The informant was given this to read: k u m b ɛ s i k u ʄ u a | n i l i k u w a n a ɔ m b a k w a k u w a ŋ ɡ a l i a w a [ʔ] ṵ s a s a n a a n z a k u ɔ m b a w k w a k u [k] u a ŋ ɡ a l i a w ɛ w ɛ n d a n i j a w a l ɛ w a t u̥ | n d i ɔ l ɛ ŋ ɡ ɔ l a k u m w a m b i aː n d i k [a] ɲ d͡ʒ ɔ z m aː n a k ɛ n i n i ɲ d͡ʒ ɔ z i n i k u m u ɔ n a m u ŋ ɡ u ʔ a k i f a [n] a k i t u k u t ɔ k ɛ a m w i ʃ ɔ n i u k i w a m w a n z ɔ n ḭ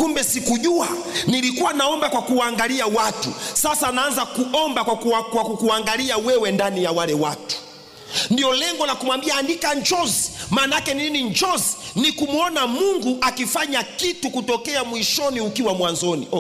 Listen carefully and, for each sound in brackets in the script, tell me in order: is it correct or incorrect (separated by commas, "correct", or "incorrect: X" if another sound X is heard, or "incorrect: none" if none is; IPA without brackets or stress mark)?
incorrect: t, correct, correct, incorrect: ɲ